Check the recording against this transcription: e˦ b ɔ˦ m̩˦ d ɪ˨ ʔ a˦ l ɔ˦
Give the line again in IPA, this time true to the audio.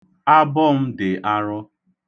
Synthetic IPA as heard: a˦ b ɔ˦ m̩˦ d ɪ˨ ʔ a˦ ɾ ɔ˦